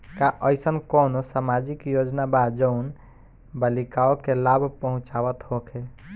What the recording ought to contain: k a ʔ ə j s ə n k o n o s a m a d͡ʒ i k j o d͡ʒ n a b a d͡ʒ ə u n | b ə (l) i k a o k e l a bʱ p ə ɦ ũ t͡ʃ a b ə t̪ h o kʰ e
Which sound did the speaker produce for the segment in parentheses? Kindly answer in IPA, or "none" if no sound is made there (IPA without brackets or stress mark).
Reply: l